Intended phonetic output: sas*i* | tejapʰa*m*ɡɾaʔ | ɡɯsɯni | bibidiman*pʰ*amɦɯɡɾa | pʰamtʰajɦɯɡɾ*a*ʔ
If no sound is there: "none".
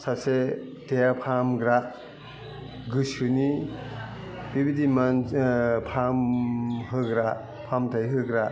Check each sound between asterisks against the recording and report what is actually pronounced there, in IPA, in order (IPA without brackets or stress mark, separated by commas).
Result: e, m, pʰ, a